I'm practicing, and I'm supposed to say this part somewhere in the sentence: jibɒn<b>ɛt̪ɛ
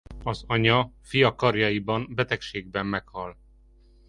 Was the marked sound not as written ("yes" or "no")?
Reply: no